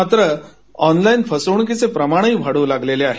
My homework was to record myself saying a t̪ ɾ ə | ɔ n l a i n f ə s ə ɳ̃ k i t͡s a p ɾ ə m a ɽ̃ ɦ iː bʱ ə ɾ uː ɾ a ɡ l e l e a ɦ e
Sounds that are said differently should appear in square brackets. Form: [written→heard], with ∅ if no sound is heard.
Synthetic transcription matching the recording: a t̪ ɾ ə | ɔ n l a i n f ə s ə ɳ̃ k i t͡s [a→e] p ɾ ə m a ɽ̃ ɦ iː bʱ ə [ɾ→ɽ] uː [ɾ→l] a ɡ l e l e a ɦ e